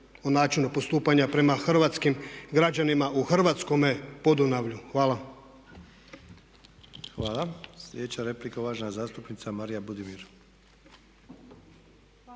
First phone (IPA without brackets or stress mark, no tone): o